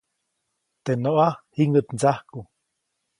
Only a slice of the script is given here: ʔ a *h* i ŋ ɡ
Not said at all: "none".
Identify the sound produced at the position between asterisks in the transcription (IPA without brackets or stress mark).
h